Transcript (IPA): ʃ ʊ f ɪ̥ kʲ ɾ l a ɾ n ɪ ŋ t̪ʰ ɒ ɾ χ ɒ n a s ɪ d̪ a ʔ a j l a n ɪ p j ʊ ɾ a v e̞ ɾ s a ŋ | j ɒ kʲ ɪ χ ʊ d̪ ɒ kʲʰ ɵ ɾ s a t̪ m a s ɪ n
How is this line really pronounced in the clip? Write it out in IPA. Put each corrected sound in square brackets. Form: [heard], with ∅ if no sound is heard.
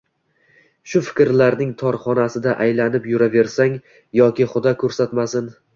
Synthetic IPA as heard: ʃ ʊ f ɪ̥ kʲ ɾ l a ɾ n ɪ ŋ t̪ʰ ɒ ɾ χ ɒ n a s ɪ d̪ a ʔ a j l a n ɪ p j ʊ ɾ a v e̞ ɾ s a ŋ | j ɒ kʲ ɪ χ ʊ d̪ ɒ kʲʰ ɵ ɾ s a t̪ m a s ɪ n